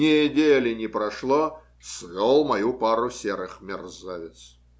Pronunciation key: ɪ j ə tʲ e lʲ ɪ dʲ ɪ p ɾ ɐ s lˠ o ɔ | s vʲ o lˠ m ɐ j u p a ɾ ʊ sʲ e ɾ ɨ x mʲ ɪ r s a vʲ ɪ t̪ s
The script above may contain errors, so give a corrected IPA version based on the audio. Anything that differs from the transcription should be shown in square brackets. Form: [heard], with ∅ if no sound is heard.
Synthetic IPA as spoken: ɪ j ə [dʲ] e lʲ ɪ [nʲ] ɪ p ɾ ɐ [ʂ] lˠ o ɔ | s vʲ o lˠ m ɐ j u p a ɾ ʊ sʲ e ɾ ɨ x mʲ ɪ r [z] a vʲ ɪ t̪ s

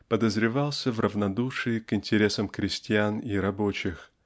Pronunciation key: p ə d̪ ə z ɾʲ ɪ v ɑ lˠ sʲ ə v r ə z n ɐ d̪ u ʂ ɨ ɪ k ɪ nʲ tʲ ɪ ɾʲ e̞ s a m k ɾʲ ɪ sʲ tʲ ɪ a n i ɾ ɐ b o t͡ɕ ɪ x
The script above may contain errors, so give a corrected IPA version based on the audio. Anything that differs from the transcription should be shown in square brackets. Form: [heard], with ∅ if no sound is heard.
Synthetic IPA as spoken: p ə d̪ ə z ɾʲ ɪ v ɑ lˠ sʲ ə v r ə [v] n ɐ d̪ u ʂ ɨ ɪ k ɪ nʲ tʲ ɪ ɾʲ e̞ s [ə] m k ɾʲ ɪ sʲ tʲ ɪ a n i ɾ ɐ b o t͡ɕ ɪ x

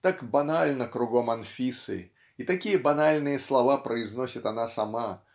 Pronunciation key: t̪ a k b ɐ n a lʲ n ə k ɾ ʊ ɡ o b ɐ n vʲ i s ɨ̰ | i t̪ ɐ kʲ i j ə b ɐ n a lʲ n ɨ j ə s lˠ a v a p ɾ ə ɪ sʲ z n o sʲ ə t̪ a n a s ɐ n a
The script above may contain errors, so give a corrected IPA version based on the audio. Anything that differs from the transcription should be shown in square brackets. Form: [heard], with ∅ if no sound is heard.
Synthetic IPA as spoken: t̪ a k b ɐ n a lʲ n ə k ɾ ʊ ɡ o [m] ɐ n [fʲ] i s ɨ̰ | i t̪ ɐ kʲ i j ə b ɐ n a lʲ n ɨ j ə s lˠ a v a p ɾ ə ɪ [∅] z n o sʲ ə t̪ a n a s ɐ [m] a

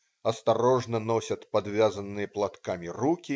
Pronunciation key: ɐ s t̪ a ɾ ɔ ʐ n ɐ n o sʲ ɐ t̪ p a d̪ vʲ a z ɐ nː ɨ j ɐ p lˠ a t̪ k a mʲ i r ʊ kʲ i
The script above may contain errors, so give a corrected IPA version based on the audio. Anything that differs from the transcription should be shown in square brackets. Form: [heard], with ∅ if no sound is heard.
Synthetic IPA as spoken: ɐ s t̪ a ɾ ɔ ʐ n ɐ n [ɔ] sʲ ɐ t̪ p a d̪ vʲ a z ɐ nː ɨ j ɐ p lˠ a t̪ k a mʲ i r [u] kʲ i

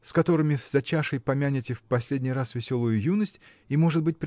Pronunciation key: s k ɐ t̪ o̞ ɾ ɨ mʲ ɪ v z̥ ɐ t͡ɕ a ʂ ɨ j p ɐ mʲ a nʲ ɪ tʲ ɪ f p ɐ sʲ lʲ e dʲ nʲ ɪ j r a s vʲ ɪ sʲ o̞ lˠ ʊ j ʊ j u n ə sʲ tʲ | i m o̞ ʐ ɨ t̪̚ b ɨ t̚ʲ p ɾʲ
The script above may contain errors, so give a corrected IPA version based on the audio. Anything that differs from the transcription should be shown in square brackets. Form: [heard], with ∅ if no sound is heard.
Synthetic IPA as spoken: s k ɐ t̪ o̞ ɾ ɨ mʲ ɪ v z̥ ɐ t͡ɕ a ʂ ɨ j p ɐ mʲ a nʲ ɪ tʲ ɪ f p ɐ sʲ lʲ e dʲ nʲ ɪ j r a s vʲ ɪ sʲ o̞ lˠ ʊ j ʊ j u n ə sʲ tʲ | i m o̞ ʐ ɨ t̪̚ b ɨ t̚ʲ p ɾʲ

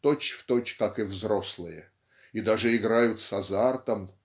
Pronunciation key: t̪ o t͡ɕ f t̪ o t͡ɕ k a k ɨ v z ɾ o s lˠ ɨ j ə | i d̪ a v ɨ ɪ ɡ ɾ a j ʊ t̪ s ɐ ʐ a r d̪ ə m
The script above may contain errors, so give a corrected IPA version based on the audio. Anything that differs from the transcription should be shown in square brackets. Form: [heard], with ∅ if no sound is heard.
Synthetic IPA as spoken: t̪ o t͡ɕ f t̪ o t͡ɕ k a k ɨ v z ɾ o s lˠ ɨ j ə | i d̪ a [ʐ] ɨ ɪ ɡ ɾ a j ʊ t̪ s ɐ [z] a r [t̪] ə m

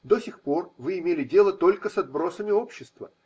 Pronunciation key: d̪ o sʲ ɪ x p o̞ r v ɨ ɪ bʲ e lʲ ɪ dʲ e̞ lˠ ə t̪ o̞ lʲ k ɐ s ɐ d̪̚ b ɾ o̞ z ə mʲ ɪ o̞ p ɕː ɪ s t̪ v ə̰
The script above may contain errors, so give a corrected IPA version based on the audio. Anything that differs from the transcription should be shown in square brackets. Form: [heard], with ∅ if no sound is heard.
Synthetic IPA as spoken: d̪ o sʲ ɪ x p o̞ r v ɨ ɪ [mʲ] e lʲ ɪ dʲ e̞ lˠ ə t̪ o̞ lʲ k [ə] s ɐ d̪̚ b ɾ o̞ [s] ə mʲ ɪ o̞ p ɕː ɪ s t̪ v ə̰

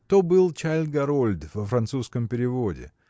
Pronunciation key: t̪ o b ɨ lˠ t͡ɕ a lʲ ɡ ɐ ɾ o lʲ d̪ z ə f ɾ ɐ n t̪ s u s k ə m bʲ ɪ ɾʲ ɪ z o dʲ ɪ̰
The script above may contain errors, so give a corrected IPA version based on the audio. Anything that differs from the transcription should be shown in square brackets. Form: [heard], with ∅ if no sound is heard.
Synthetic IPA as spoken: t̪ o b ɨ lˠ t͡ɕ a lʲ ɡ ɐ ɾ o lʲ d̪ [v] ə f ɾ ɐ n t̪ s u s k ə m [pʲ] ɪ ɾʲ ɪ [v] o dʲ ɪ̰

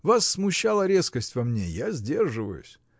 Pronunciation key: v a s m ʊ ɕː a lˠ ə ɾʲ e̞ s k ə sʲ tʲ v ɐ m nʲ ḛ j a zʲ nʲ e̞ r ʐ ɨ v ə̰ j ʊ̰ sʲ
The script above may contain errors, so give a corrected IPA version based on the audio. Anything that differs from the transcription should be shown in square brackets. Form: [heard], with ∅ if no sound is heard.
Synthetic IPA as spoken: v a [sː] m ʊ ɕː a lˠ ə ɾʲ e̞ s k ə sʲ tʲ v ɐ m nʲ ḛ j a zʲ [dʲ] e̞ r ʐ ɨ v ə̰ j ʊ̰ sʲ

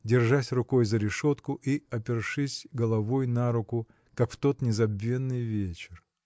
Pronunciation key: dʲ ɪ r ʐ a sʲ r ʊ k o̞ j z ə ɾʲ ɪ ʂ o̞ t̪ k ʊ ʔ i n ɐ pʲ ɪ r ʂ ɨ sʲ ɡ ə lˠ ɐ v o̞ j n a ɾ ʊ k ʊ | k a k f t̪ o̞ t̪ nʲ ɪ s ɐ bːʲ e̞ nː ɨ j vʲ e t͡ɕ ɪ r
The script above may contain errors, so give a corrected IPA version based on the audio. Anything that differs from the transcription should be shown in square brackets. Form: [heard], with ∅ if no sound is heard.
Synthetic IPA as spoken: dʲ ɪ r ʐ a sʲ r ʊ k o̞ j z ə ɾʲ ɪ ʂ o̞ t̪ k ʊ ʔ i [∅] ɐ pʲ ɪ r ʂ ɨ sʲ ɡ ə lˠ ɐ v o̞ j n a ɾ ʊ k ʊ | k a k f t̪ o̞ t̪ nʲ ɪ [z] ɐ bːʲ e̞ nː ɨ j vʲ e t͡ɕ ɪ r

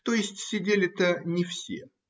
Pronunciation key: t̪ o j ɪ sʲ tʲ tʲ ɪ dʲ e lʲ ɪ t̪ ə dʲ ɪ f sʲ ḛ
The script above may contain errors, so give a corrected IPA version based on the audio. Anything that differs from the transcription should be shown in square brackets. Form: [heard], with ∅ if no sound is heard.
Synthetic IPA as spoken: t̪ o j ɪ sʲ tʲ [sʲ] ɪ dʲ e lʲ ɪ t̪ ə [nʲ] ɪ f sʲ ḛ

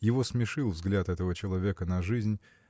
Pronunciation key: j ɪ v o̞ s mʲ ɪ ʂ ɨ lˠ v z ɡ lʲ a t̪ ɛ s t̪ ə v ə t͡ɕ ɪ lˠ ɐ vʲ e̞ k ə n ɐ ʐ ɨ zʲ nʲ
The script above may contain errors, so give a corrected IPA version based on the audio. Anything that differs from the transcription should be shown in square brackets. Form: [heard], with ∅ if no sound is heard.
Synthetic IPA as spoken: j ɪ v o̞ s mʲ ɪ ʂ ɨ lˠ v z ɡ lʲ a t̪ ɛ [∅] t̪ ə v ə t͡ɕ ɪ lˠ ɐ vʲ e̞ k ə n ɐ ʐ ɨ zʲ nʲ

